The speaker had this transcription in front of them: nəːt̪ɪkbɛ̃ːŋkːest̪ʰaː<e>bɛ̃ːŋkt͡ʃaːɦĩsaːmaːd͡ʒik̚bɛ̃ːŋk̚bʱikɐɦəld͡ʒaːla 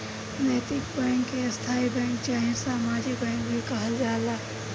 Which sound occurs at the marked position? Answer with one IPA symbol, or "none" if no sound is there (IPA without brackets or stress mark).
i